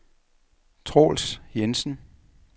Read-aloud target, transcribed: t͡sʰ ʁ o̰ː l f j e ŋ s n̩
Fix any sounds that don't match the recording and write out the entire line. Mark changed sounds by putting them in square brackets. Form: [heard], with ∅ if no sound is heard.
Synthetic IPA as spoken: t͡sʰ ʁ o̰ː l [s] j e [n] s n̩